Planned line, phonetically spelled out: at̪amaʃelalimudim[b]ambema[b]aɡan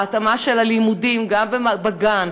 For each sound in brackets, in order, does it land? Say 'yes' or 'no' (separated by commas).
no, yes